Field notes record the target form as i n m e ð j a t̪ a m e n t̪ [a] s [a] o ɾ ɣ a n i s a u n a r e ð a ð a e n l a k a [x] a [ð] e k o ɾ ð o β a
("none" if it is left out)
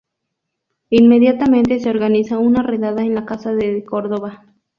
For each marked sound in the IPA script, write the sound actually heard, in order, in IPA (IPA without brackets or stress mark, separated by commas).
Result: e, e, s, ð